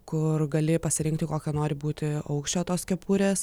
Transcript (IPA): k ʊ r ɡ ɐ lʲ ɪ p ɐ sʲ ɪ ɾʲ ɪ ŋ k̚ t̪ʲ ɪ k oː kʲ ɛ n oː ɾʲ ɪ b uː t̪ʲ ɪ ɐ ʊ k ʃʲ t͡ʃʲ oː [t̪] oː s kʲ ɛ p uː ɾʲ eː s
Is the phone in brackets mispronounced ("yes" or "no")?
no